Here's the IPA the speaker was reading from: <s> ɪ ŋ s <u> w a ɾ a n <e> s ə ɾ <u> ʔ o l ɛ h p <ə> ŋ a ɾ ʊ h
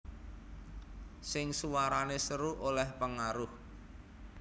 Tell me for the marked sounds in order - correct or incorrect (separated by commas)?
correct, correct, correct, correct, correct